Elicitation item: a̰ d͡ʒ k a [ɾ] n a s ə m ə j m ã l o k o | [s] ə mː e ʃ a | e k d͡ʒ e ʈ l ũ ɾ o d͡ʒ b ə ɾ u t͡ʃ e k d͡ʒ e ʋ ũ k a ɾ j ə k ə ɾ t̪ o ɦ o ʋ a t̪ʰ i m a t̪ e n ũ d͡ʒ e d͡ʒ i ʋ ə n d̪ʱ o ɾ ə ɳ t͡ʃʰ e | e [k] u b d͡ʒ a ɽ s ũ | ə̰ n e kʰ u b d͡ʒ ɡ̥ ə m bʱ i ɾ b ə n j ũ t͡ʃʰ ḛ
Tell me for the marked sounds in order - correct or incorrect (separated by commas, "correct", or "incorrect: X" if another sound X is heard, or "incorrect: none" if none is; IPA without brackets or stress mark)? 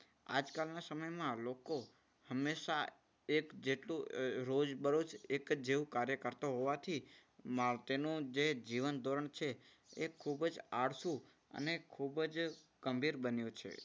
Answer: incorrect: l, incorrect: h, incorrect: kʰ